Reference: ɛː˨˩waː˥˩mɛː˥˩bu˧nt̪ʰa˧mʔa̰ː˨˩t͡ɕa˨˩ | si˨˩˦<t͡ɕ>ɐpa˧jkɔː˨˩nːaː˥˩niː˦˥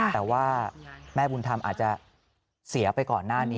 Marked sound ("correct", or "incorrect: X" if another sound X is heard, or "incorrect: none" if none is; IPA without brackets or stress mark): incorrect: none